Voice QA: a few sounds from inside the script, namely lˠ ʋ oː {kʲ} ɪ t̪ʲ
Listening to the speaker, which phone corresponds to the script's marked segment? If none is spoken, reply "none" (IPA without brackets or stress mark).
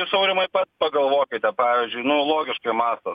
kʲ